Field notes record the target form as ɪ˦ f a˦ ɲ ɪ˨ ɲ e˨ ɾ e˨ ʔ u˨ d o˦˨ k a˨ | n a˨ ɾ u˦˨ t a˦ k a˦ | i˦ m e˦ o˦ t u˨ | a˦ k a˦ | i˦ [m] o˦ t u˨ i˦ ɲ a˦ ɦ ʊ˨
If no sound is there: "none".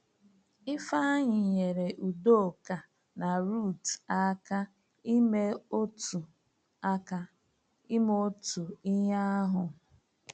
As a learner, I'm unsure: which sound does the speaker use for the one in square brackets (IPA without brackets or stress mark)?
m